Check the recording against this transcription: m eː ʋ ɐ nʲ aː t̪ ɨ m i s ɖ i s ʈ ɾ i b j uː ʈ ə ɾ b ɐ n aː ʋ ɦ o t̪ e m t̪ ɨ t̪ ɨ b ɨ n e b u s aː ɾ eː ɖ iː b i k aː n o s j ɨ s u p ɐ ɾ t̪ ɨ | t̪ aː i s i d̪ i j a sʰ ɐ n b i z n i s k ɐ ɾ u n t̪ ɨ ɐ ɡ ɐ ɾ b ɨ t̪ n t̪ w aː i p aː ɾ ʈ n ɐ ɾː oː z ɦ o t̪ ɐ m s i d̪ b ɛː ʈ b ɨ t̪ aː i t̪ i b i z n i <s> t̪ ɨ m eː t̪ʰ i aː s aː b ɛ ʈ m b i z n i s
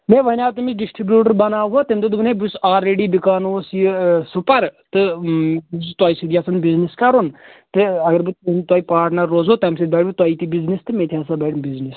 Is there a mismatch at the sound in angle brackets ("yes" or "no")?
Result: no